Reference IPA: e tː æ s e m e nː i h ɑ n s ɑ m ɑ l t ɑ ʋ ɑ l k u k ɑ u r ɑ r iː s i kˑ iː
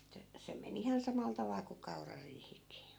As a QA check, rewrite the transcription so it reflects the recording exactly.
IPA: e tː æ s e m e n i h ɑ n s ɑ m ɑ l t ɑ ʋ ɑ l k u k ɑ u r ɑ r iː h i kˑ iː